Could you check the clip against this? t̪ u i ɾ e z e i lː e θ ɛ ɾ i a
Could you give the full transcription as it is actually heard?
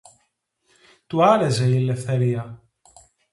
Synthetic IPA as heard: t̪ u a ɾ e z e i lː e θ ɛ ɾ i a